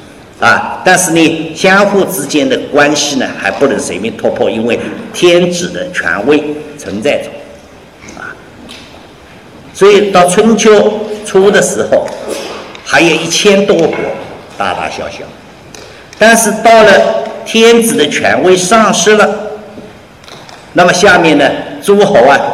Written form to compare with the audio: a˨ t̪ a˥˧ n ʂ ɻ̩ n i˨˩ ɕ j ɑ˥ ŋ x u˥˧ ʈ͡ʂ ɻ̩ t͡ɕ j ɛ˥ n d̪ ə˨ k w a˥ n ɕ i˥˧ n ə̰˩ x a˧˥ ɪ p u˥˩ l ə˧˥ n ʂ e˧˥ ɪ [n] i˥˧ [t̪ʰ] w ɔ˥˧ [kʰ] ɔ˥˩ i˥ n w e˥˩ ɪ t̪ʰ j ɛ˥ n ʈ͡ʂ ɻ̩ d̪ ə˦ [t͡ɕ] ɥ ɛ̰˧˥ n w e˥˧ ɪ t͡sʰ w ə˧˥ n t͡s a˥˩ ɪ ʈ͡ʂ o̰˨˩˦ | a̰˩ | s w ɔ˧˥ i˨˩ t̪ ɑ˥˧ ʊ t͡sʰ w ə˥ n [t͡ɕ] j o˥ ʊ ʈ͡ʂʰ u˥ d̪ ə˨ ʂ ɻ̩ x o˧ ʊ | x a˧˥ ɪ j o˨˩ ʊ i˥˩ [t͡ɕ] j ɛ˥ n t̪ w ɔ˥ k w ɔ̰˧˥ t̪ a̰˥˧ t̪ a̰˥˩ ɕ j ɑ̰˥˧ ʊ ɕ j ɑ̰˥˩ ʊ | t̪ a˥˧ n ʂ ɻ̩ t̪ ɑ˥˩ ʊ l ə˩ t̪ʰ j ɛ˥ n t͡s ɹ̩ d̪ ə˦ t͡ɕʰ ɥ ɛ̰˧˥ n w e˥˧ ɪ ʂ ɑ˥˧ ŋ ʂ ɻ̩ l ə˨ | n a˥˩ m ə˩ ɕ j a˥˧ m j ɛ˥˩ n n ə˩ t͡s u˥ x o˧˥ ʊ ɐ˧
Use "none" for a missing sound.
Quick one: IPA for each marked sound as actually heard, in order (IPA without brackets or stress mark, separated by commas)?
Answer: m, t̪ʰ, pʰ, t͡ɕʰ, t͡ɕʰ, t͡ɕʰ